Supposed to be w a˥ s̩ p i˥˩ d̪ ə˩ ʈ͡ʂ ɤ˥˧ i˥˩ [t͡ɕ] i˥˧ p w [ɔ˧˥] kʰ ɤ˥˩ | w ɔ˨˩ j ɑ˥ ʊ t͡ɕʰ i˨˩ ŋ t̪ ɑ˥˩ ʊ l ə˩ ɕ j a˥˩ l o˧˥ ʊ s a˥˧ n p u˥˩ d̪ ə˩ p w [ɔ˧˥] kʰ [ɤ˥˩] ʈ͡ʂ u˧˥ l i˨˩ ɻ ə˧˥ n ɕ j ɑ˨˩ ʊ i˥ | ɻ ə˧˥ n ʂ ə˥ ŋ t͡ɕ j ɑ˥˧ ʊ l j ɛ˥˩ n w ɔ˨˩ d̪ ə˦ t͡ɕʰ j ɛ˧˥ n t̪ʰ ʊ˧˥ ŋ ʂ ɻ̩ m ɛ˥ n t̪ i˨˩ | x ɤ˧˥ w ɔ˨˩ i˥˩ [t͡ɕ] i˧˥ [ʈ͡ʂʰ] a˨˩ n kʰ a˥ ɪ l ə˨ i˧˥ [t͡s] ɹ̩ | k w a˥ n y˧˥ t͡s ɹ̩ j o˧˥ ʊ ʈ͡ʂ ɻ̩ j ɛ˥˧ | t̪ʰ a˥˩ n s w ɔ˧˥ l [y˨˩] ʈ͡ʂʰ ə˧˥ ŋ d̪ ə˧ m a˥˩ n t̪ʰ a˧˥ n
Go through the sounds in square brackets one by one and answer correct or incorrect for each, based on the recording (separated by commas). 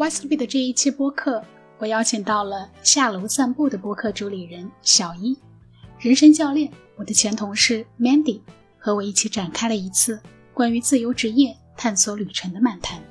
incorrect, incorrect, incorrect, correct, incorrect, incorrect, incorrect, correct